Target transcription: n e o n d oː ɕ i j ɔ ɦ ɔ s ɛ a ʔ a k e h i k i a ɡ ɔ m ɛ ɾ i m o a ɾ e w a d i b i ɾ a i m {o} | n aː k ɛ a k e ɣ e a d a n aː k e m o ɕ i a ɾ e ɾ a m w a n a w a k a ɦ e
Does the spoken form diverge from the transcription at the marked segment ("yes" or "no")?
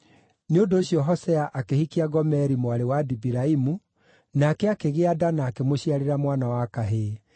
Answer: yes